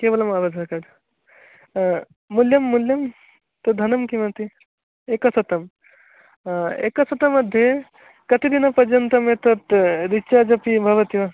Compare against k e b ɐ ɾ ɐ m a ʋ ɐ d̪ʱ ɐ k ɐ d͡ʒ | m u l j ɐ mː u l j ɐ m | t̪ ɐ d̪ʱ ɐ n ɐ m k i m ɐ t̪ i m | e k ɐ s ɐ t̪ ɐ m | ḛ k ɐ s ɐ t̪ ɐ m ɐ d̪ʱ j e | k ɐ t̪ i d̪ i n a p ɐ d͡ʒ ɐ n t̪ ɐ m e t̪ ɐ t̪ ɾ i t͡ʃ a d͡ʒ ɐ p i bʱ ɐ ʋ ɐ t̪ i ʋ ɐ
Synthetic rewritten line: k e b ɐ l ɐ m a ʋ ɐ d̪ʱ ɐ k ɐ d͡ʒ | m u l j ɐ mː u l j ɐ m | t̪ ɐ d̪ʱ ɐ n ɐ m k i m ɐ t̪ i | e k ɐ s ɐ t̪ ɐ m | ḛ k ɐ s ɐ t̪ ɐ m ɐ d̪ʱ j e | k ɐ t̪ i d̪ i n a p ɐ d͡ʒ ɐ n t̪ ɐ m e t̪ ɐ t̪ ɾ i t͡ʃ a d͡ʒ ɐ p i bʱ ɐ ʋ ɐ t̪ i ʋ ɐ